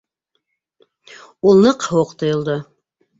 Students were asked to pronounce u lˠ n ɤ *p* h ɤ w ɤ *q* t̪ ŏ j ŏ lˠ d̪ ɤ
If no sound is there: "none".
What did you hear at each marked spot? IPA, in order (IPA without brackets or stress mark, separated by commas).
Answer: q, q